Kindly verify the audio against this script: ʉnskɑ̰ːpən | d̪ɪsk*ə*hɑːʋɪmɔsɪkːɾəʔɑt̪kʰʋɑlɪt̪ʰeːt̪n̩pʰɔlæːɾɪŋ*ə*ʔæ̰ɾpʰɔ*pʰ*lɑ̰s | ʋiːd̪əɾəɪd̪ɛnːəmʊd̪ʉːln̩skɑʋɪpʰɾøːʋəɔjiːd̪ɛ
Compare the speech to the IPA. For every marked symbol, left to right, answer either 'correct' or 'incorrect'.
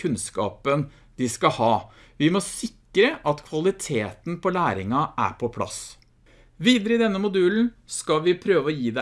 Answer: incorrect: ɑ, incorrect: ɑ, correct

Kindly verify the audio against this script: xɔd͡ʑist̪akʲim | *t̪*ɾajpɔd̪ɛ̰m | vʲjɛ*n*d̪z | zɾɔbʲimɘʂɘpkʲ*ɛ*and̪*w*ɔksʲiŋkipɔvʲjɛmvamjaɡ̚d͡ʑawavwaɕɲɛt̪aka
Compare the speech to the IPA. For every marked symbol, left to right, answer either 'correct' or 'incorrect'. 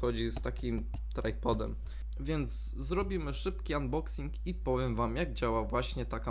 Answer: correct, correct, incorrect: i, incorrect: b

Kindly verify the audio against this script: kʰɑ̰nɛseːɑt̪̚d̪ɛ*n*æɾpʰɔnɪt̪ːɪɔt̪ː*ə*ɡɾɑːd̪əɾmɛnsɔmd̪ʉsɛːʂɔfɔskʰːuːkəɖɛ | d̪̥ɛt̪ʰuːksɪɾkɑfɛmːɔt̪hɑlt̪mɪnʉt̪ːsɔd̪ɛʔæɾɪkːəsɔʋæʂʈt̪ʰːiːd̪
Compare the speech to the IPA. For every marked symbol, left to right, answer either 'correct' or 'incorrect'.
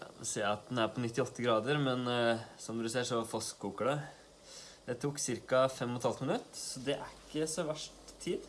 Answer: correct, correct

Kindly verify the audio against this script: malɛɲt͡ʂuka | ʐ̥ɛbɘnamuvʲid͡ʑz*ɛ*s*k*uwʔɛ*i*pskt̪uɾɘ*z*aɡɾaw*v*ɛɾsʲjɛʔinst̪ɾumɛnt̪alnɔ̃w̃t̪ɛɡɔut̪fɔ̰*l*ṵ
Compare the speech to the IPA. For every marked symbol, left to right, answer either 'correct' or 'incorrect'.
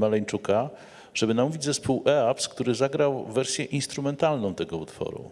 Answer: correct, incorrect: p, incorrect: a, correct, correct, incorrect: ɾ

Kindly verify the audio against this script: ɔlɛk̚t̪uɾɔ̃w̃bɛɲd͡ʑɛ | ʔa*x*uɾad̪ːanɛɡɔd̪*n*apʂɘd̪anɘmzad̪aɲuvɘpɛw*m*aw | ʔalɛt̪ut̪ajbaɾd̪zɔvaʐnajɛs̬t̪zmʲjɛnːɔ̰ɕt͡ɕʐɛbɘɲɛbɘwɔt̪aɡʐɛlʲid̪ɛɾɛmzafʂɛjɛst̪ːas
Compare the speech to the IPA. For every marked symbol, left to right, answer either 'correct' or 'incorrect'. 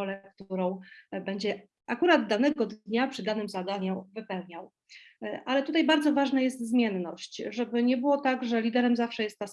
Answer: incorrect: k, incorrect: ɲ, incorrect: ɲ

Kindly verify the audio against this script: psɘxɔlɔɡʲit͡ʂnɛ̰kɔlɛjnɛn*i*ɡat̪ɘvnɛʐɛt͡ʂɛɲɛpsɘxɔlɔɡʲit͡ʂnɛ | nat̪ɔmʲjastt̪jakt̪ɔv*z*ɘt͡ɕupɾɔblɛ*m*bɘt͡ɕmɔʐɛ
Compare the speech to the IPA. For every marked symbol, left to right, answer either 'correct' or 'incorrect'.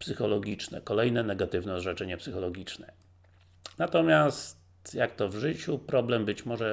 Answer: incorrect: ɛ, incorrect: ʐ, correct

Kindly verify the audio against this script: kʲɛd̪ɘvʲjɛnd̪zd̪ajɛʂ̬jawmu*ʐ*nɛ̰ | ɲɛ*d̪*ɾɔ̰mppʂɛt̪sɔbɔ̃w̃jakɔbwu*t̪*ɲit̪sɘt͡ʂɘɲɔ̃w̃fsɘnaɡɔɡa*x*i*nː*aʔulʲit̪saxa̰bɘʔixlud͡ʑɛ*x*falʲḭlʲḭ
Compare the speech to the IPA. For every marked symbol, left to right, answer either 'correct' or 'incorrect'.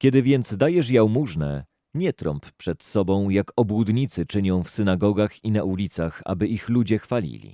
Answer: correct, incorrect: t̪, incorrect: d̪, correct, incorrect: n, correct

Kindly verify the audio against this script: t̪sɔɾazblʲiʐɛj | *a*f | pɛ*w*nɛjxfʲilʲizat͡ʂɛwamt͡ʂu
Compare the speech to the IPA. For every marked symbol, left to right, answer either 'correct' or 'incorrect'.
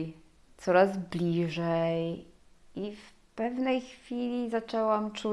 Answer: incorrect: i, incorrect: v

